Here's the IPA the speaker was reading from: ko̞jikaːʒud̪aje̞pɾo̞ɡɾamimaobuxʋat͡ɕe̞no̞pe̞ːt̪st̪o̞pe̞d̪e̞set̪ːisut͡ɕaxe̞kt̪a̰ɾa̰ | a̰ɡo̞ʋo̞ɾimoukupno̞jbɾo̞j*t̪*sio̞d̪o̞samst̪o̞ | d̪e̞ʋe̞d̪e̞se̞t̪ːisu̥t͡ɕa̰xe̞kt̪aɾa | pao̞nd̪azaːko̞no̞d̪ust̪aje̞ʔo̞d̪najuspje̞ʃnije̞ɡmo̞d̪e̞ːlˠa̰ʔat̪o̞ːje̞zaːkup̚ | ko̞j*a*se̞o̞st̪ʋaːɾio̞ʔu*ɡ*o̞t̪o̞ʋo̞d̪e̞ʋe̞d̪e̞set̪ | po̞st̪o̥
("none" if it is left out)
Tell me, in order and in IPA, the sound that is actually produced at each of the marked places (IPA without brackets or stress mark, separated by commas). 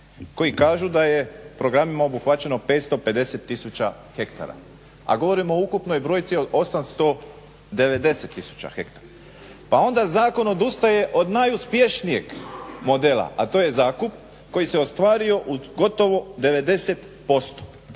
t̪, i, ɡ